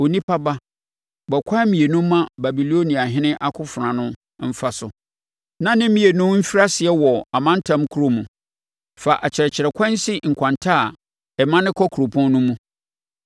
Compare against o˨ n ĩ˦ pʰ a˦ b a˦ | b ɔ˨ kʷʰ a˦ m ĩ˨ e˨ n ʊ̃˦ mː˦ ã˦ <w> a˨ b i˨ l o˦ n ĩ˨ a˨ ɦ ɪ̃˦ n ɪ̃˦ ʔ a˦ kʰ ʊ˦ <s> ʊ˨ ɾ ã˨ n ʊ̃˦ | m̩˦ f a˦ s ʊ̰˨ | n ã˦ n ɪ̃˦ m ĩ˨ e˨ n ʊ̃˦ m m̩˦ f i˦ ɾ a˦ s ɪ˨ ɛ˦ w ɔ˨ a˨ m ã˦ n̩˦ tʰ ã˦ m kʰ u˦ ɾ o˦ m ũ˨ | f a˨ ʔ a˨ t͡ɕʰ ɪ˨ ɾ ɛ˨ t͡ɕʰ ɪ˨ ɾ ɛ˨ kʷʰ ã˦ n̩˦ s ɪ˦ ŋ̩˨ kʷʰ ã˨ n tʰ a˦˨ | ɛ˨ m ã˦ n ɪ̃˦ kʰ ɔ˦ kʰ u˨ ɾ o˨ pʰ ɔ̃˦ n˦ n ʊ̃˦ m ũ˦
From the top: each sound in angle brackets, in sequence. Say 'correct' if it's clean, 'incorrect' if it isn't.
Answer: incorrect: b, incorrect: f

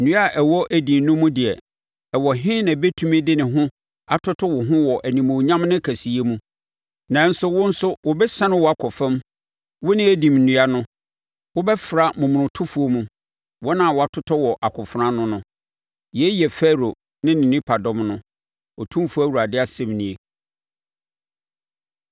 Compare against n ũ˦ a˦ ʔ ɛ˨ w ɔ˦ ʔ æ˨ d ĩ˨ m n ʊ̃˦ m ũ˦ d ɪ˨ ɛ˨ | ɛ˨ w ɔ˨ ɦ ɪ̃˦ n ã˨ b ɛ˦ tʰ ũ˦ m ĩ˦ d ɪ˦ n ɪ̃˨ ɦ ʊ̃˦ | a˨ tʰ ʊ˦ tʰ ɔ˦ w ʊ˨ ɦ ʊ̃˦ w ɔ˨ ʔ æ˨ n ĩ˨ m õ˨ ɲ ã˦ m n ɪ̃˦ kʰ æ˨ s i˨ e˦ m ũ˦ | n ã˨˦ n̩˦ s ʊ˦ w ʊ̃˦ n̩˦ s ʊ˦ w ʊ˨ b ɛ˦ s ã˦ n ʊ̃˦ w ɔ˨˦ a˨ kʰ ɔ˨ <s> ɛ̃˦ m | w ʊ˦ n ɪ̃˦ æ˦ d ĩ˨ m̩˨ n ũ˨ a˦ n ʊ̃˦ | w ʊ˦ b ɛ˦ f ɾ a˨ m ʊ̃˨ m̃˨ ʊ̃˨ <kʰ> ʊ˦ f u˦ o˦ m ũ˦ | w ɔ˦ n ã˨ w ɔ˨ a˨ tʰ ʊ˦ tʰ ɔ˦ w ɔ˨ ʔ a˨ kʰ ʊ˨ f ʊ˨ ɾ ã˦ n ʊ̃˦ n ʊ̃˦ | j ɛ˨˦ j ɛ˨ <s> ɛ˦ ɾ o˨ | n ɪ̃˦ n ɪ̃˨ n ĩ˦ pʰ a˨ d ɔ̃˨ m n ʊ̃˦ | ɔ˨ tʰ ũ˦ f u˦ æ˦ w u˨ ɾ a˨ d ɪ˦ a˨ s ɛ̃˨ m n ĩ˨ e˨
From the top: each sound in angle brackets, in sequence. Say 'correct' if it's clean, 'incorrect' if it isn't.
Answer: incorrect: f, incorrect: tʰ, incorrect: f

